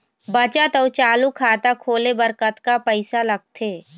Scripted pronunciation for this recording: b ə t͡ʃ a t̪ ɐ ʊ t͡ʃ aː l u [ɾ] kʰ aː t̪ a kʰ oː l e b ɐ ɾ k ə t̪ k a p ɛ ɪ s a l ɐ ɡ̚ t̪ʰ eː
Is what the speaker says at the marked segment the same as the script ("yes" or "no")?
no